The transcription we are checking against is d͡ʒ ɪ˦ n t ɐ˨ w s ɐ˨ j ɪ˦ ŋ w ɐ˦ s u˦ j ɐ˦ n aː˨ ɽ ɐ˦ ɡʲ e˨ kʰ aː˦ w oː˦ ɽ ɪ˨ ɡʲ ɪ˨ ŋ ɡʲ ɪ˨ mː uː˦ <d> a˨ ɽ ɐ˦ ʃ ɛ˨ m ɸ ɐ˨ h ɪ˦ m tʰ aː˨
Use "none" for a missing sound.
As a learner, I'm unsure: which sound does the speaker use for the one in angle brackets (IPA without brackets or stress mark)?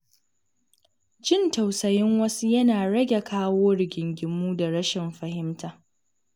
d